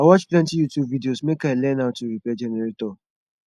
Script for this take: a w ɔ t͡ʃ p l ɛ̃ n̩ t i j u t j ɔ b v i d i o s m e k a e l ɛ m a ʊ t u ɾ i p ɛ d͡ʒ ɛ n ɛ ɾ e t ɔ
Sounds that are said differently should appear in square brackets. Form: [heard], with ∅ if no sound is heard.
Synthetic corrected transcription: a w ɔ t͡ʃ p l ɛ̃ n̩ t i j u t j [u] b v i d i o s m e k a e l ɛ [n] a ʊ t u ɾ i p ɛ d͡ʒ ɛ n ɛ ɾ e t ɔ